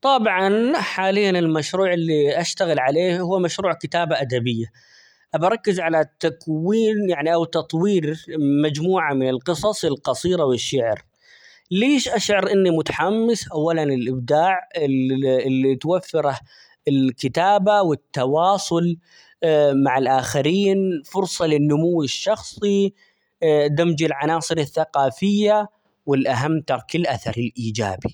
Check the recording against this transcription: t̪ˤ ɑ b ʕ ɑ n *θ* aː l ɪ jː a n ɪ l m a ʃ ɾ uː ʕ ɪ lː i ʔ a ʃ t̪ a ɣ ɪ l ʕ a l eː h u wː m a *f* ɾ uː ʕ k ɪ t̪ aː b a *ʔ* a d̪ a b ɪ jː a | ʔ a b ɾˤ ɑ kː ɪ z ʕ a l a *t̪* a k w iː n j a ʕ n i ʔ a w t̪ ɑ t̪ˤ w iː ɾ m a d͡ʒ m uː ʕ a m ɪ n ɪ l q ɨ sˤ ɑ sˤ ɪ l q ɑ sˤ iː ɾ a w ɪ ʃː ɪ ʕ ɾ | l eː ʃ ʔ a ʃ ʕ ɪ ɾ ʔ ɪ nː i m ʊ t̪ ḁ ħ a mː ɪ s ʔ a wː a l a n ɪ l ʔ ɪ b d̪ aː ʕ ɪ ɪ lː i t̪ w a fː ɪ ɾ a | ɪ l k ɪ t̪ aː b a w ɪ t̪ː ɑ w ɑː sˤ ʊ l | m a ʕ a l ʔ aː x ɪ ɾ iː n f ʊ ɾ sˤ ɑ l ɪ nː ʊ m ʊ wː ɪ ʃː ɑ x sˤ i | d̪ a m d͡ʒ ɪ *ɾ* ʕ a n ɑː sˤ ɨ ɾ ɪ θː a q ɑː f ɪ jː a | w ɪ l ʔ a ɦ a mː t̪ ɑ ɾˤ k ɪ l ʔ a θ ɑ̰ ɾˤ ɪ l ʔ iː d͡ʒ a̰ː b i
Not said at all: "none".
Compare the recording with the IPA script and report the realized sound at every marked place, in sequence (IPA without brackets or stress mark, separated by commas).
ħ, ʃ, ʔ, t̪, l